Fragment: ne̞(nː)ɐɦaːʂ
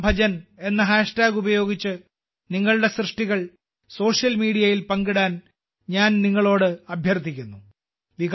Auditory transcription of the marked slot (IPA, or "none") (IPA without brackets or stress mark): nː